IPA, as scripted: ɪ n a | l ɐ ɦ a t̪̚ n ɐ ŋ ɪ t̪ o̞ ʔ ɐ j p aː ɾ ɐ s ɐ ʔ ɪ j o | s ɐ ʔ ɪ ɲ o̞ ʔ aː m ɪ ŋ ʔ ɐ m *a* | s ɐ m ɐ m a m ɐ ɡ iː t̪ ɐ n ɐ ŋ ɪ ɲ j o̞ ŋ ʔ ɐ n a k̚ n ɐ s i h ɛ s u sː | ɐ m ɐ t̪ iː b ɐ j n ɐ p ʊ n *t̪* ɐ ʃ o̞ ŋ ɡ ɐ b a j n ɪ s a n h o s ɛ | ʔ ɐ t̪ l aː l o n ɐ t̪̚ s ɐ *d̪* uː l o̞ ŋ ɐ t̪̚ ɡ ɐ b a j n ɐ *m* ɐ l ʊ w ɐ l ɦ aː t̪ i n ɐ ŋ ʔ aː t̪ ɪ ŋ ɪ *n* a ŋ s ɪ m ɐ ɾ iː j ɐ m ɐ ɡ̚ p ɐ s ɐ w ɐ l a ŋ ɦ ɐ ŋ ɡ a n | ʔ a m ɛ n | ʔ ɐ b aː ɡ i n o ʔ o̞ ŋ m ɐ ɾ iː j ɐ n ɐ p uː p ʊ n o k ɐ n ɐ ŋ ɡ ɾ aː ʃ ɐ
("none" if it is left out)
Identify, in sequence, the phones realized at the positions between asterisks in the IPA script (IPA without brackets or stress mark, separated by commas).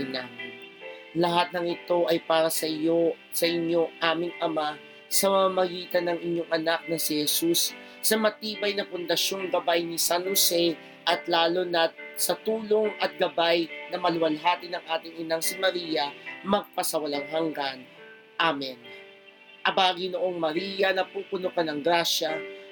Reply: a, d̪, t̪, m, n